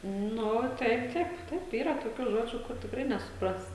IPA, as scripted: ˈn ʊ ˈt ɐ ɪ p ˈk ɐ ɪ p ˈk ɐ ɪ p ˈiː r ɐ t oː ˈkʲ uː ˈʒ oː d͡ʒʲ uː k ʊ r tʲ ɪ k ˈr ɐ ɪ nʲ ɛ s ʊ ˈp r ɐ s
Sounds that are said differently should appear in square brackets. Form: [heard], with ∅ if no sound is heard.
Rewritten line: ˈn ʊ ˈt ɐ ɪ p [ˈt] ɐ ɪ p [ˈt] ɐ ɪ p ˈiː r ɐ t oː ˈkʲ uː ˈʒ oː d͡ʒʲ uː k ʊ r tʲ ɪ k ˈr ɐ ɪ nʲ ɛ s ʊ ˈp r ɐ s